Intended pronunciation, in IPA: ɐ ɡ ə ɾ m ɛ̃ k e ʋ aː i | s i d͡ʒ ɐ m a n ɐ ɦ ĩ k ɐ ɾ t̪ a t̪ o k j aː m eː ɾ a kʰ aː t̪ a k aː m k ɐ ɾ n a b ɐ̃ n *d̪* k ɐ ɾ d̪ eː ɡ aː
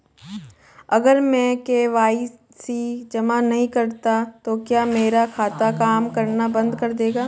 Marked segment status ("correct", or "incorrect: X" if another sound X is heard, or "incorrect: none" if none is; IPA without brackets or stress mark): correct